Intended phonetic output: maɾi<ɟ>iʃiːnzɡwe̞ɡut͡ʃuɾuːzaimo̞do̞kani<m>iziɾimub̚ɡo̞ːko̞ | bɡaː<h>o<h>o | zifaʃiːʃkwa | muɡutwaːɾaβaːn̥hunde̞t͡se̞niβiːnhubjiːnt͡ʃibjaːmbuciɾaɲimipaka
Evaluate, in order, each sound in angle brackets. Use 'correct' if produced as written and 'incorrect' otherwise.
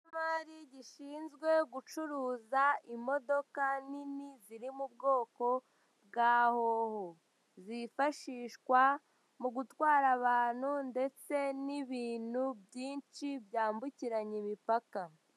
correct, incorrect: n, correct, correct

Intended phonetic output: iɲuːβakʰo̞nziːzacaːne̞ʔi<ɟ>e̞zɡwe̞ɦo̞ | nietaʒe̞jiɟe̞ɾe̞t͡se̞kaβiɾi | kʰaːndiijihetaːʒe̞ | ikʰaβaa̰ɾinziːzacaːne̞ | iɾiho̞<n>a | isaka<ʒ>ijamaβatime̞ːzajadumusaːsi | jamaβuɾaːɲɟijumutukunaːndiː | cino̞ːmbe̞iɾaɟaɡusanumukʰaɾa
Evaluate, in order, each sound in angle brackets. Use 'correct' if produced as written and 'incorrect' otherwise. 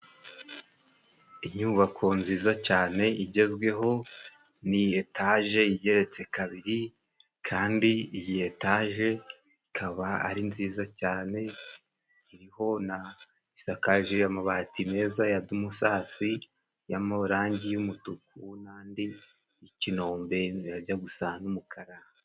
correct, correct, correct

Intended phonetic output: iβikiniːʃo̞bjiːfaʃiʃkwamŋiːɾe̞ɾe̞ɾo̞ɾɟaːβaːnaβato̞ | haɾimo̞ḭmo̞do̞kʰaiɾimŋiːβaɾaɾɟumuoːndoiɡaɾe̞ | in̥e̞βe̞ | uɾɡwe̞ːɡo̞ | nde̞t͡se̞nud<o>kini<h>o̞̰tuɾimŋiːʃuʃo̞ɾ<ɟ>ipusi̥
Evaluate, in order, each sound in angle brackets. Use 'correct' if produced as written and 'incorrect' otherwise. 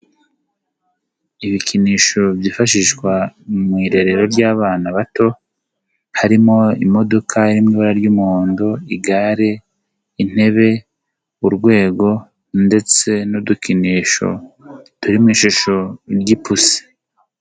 incorrect: u, incorrect: ʃ, correct

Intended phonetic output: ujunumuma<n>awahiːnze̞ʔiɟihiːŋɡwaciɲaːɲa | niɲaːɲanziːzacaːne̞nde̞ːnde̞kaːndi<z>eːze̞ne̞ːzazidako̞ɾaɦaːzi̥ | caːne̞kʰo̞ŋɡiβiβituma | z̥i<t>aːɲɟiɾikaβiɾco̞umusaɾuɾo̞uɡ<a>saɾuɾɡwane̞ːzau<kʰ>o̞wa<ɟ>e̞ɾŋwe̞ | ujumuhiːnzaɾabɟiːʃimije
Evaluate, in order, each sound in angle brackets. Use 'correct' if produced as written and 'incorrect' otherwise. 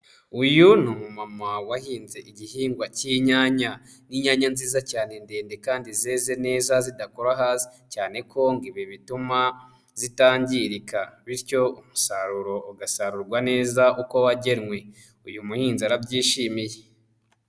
incorrect: m, correct, correct, correct, incorrect: k, correct

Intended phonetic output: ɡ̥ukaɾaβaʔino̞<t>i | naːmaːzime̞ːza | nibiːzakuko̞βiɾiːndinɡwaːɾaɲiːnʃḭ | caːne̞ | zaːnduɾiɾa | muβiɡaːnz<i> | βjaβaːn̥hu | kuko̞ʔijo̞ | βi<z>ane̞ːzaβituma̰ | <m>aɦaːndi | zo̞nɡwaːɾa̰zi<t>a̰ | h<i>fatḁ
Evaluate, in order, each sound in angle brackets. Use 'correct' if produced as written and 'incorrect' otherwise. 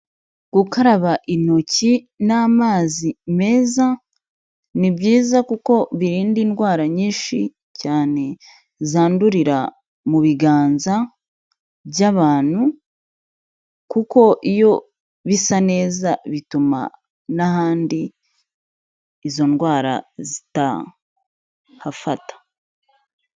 incorrect: c, incorrect: a, incorrect: s, incorrect: n, correct, incorrect: a

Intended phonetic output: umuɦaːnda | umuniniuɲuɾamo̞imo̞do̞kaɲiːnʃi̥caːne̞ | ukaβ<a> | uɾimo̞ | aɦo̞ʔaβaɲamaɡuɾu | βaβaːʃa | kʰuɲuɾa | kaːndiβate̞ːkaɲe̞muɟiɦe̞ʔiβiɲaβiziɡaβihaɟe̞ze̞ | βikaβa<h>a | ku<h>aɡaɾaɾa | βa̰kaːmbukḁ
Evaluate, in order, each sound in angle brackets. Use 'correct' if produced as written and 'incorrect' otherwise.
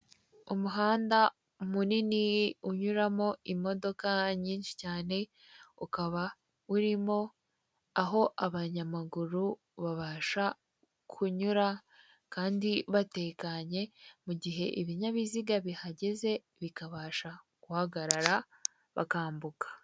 correct, incorrect: ʃ, correct

